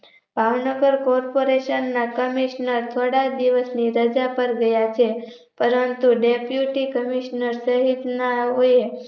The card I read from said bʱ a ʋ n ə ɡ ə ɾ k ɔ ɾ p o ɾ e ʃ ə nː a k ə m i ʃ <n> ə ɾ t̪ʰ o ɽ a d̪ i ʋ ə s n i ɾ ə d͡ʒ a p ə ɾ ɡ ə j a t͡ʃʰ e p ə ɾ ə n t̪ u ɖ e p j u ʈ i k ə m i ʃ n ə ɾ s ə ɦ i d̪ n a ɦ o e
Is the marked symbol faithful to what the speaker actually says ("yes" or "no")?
yes